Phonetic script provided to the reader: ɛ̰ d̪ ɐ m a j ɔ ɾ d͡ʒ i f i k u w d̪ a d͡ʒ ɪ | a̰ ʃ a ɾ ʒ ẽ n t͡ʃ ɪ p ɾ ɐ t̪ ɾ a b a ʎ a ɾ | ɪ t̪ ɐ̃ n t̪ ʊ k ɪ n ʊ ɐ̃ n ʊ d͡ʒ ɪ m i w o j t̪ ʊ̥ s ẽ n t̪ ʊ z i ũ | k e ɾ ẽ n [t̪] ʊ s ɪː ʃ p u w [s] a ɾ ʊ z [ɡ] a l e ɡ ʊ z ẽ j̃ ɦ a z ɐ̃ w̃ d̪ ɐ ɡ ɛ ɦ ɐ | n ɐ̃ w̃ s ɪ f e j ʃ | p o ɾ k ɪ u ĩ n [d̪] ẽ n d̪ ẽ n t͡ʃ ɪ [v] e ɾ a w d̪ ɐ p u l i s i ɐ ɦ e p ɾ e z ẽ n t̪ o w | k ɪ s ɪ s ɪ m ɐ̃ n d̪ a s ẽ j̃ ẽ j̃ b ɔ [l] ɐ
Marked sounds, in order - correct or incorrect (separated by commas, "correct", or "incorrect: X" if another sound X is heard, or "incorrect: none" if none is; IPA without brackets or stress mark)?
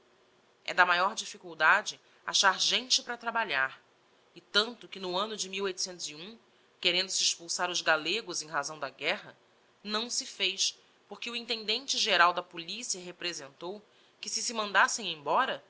incorrect: d̪, correct, correct, incorrect: t̪, incorrect: ʒ, incorrect: ɾ